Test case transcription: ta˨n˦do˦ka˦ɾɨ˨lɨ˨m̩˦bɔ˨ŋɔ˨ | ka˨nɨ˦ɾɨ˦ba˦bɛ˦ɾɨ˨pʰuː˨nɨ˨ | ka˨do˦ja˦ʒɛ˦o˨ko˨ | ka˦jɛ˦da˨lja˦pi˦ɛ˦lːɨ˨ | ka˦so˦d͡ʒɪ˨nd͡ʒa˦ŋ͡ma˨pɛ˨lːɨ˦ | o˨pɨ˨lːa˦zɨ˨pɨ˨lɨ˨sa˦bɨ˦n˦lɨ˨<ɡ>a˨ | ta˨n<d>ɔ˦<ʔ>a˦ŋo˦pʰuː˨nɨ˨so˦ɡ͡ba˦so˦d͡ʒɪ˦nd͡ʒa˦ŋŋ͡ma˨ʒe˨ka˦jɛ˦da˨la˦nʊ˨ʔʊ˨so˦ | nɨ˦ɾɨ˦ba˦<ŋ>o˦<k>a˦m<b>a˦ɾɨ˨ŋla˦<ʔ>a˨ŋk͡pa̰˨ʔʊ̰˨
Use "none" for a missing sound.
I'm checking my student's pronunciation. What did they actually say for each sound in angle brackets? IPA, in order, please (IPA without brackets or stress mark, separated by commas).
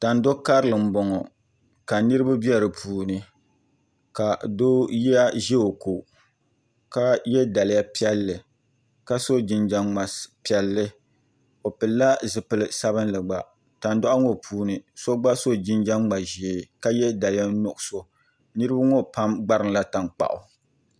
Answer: ɡ͡b, d, ʔ, ŋ, p, ɡ͡b, t